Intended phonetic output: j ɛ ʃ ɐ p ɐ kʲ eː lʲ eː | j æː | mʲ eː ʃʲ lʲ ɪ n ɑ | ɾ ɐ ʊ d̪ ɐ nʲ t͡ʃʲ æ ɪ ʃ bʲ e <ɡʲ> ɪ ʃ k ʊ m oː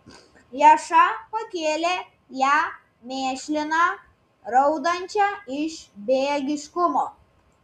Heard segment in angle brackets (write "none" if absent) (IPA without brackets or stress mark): ɡʲ